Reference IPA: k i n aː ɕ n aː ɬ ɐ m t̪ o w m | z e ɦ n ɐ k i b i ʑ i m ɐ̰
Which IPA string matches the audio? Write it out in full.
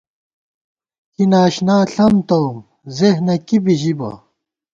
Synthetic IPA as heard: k i n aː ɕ n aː ɬ ɐ m t̪ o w m | z e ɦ n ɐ k i b i ʑ i b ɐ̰